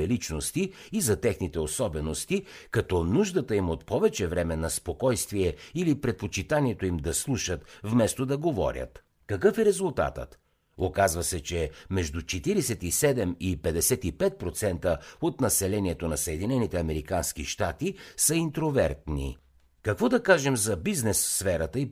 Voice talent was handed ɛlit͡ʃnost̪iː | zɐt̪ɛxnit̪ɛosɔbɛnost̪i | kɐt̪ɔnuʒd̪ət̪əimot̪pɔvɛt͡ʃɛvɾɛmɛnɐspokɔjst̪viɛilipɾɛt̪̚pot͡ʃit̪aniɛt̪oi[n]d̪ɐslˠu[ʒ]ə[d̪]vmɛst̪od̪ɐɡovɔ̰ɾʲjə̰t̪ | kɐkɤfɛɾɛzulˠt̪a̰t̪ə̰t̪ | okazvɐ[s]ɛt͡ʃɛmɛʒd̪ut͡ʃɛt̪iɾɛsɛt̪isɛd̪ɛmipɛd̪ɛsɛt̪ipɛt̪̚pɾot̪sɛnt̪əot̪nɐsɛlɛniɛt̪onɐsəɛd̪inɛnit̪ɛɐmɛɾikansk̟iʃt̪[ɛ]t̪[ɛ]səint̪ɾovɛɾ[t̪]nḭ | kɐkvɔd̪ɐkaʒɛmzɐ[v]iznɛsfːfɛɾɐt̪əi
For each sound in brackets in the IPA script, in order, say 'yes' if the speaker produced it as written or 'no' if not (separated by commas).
no, no, no, yes, no, no, yes, no